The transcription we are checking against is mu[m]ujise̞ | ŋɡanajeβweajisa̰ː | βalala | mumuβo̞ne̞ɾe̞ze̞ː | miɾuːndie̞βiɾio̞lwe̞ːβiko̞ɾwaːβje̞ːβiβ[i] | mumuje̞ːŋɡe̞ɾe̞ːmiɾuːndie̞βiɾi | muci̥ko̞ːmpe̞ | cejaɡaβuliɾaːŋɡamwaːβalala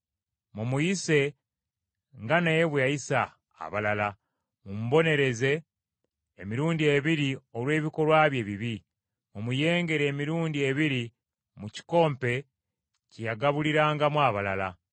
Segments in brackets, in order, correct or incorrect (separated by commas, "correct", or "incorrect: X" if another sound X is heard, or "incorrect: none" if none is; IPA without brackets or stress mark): correct, correct